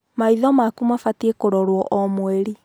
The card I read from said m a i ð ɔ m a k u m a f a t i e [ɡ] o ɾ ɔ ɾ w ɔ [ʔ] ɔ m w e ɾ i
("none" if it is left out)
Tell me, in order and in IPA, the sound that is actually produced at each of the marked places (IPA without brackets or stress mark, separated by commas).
k, ʔ